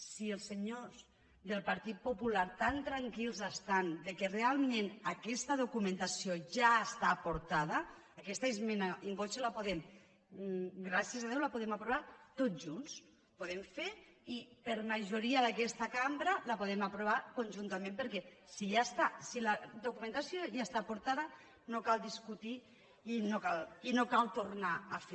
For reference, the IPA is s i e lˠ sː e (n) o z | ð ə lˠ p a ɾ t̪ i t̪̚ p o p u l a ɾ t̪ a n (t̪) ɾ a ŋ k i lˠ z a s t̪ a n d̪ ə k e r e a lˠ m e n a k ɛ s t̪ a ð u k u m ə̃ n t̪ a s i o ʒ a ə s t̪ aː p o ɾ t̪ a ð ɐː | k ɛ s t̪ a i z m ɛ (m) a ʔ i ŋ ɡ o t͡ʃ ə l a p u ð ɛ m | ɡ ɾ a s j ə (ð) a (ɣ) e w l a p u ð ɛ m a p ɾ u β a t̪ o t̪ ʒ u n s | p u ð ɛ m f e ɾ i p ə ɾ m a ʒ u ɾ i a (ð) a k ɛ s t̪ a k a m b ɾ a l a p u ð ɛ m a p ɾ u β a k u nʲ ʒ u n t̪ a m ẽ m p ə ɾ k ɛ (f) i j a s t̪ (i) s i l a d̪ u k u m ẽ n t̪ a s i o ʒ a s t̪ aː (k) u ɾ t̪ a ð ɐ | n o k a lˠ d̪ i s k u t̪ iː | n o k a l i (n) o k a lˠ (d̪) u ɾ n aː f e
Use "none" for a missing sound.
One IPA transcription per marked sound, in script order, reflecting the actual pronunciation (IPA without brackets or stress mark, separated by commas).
ɲ, t̪, n, z, ð, ð, s, a, p, n, t̪